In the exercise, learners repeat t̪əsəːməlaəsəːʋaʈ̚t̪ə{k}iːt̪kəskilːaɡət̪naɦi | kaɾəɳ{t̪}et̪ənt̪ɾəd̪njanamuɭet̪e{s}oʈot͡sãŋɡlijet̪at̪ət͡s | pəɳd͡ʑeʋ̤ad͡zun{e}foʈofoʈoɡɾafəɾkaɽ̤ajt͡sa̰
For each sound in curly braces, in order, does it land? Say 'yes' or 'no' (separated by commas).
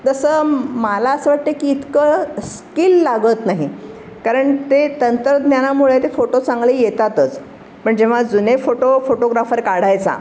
yes, yes, no, yes